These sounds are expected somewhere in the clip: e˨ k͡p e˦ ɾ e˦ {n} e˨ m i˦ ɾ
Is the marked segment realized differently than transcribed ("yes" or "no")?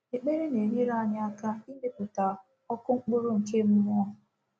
no